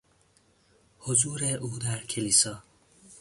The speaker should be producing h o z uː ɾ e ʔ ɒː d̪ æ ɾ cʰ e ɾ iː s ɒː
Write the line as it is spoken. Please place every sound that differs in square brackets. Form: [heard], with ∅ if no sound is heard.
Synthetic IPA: h o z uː ɾ e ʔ [uː] d̪ æ ɾ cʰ e [l] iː s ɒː